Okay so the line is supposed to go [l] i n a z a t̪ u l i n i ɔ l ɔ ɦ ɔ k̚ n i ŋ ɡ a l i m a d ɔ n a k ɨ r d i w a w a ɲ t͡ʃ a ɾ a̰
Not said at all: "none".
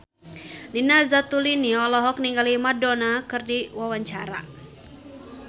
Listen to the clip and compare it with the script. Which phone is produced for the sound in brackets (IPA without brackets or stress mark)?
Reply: l